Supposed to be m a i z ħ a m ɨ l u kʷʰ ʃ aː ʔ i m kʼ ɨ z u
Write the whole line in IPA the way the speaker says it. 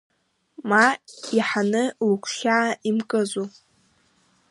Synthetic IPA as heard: m a i ħ a n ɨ l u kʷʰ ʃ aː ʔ i m kʼ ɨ z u